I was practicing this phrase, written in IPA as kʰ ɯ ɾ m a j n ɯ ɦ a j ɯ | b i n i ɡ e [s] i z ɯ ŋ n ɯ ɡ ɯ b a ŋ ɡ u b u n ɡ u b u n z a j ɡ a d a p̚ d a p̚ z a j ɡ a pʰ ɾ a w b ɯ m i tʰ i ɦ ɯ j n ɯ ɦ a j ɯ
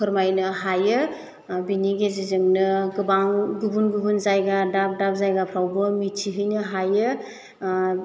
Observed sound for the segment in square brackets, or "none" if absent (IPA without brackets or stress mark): z